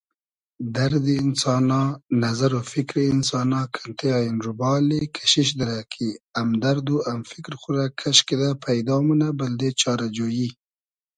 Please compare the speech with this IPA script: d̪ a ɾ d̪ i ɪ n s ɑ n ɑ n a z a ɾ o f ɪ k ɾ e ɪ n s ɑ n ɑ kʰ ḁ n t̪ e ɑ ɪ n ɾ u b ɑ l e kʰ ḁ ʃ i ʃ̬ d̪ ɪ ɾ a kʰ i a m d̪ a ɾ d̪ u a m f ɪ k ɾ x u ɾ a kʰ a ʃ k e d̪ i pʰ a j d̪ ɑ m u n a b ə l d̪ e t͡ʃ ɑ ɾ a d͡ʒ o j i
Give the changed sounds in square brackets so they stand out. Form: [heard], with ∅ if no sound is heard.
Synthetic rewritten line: d̪ a ɾ d̪ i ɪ n s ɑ n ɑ n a z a ɾ o f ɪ k ɾ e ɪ n s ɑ n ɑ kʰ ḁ n t̪ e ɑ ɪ n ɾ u b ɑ l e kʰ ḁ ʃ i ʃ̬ d̪ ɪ ɾ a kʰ i a m d̪ a ɾ d̪ u a m f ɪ k ɾ x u ɾ a kʰ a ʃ k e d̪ [a] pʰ a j d̪ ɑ m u n a b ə l d̪ e t͡ʃ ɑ ɾ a d͡ʒ o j i